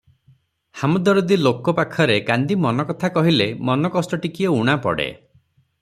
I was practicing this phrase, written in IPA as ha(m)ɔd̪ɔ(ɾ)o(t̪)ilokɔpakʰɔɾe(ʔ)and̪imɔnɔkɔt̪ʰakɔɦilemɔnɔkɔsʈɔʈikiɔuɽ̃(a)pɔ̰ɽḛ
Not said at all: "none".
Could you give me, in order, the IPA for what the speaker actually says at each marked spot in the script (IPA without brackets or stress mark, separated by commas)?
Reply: m, ɾ, d̪, k, a